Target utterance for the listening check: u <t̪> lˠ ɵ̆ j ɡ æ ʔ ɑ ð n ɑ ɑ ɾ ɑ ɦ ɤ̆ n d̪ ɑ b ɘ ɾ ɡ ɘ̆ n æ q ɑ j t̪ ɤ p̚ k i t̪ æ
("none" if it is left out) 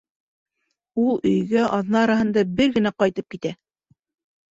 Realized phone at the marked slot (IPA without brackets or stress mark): none